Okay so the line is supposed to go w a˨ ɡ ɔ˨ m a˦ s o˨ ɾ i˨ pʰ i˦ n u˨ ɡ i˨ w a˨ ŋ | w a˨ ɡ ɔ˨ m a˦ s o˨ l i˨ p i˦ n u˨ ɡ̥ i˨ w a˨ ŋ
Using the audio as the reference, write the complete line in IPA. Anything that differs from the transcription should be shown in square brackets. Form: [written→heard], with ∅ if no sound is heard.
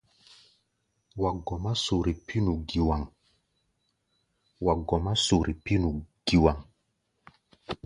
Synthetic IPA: w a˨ ɡ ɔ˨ m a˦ s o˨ ɾ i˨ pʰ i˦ n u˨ ɡ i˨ w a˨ ŋ | w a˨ ɡ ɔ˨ m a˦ s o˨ [l→ɾ] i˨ p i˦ n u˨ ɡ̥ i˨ w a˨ ŋ